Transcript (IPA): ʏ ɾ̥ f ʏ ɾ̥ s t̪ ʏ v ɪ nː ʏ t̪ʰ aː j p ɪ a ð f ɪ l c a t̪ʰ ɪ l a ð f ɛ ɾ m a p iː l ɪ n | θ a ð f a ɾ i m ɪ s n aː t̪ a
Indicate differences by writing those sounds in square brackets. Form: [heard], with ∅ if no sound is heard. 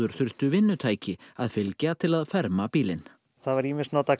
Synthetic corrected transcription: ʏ ɾ̥ [θ] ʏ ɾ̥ s t̪ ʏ v ɪ nː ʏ t̪ʰ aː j [c] ɪ a ð f ɪ l c a t̪ʰ ɪ l a ð f ɛ ɾ m a p iː l ɪ n | θ a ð [v] a ɾ i m ɪ s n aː t̪ a